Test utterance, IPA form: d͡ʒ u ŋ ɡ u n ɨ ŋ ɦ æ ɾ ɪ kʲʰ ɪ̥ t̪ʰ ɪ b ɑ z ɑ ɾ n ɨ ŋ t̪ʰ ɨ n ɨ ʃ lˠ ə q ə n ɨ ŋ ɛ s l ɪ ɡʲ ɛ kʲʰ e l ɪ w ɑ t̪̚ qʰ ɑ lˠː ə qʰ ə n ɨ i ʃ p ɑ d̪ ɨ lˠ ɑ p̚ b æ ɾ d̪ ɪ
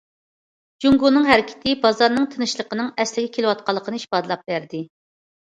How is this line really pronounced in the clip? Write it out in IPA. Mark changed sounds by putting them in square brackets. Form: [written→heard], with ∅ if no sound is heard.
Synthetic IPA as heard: d͡ʒ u ŋ ɡ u n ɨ ŋ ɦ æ ɾ ɪ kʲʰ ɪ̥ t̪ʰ ɪ b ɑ z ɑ ɾ n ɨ ŋ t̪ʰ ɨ n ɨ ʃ lˠ ə q ə n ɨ ŋ ɛ s l ɪ ɡʲ ɛ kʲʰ e l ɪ w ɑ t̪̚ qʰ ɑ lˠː ə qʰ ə n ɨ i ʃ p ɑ d̪ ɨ lˠ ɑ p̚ b æ ɾ d̪ ɪ